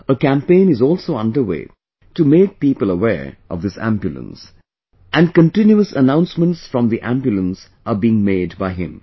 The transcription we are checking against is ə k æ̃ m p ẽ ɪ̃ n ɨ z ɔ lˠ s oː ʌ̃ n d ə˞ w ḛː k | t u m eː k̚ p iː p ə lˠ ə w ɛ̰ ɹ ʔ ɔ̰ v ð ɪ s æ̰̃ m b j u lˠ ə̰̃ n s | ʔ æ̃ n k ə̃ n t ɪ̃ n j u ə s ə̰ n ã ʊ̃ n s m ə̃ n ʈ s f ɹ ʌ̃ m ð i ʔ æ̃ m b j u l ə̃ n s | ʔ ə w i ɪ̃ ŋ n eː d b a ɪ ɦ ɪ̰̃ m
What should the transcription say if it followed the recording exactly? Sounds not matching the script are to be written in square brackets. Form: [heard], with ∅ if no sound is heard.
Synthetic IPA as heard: ə k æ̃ m p ẽ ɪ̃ n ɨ z ɔ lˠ s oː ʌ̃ n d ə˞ w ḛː [∅] | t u m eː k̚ p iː p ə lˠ ə w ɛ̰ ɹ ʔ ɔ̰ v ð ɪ s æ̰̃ m b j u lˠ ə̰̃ n s | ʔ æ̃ n k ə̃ n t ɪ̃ n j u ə s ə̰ n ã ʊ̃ n s m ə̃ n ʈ s f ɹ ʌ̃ m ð i ʔ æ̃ m b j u l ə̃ n s | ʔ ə [b] i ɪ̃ ŋ [m] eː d b a ɪ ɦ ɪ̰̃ m